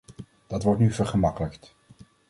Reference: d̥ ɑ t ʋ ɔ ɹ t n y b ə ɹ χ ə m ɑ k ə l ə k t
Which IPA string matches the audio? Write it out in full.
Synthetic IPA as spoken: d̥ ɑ t ʋ ɔ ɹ t n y v ə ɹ χ ə m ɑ k ə l ə k t